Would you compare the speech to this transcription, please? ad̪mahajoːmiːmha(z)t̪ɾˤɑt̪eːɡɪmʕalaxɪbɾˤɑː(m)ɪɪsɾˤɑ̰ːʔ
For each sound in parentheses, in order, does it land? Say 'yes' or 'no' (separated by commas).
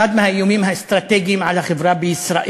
no, no